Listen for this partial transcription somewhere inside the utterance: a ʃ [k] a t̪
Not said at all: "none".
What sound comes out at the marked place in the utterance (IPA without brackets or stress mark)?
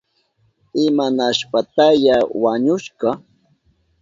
p